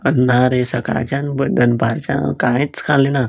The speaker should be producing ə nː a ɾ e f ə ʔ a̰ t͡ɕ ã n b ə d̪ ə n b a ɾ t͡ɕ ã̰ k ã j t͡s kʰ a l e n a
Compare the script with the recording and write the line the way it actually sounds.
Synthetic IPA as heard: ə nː a ɾ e s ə k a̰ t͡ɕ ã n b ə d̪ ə n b a ɾ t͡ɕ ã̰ k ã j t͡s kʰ a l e n a